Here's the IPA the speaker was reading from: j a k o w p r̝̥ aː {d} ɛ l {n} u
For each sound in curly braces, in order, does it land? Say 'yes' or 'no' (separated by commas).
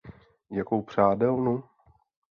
yes, yes